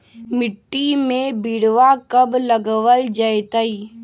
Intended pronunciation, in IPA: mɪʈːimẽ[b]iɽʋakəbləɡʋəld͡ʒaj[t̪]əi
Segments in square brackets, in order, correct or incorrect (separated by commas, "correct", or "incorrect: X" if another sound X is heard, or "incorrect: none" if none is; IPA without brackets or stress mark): correct, correct